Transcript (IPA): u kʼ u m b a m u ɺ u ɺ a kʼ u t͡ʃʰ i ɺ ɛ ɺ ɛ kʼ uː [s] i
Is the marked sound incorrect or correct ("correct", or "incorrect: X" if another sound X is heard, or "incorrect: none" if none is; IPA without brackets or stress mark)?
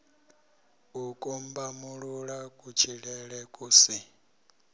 correct